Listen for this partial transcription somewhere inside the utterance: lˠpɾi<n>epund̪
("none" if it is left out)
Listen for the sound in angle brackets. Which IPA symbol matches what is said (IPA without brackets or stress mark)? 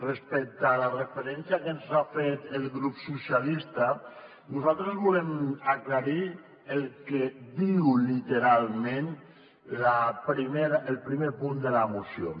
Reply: m